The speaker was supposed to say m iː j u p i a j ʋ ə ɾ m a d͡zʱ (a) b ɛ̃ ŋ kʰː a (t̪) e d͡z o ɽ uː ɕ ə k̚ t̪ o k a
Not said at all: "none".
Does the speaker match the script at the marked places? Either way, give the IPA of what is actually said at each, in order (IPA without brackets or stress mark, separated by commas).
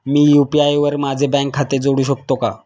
e, t̪